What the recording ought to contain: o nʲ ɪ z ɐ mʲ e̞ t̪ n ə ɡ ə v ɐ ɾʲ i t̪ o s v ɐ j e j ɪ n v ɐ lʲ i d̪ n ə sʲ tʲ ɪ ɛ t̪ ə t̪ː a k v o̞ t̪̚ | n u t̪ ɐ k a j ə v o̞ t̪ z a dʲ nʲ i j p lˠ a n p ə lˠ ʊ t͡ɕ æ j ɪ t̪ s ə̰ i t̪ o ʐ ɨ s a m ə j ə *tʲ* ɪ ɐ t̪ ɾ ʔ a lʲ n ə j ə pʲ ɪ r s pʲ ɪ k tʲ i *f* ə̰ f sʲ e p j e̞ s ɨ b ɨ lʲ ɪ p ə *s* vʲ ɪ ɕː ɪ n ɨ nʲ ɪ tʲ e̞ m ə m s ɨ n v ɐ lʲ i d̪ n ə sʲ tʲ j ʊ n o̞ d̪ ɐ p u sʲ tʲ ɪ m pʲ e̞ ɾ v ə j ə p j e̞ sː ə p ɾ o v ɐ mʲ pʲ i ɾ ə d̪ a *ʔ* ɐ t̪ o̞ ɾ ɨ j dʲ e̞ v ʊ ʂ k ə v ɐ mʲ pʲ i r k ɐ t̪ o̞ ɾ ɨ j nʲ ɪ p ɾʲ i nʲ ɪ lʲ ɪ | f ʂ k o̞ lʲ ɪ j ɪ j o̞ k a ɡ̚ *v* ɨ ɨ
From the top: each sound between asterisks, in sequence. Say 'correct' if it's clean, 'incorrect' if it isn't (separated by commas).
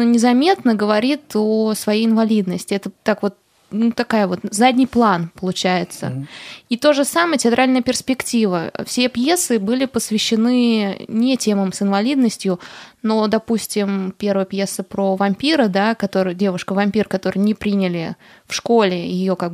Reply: correct, incorrect, correct, incorrect, incorrect